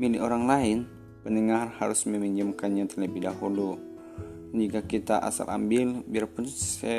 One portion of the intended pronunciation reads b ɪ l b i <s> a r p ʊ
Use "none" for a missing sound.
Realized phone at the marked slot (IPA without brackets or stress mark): none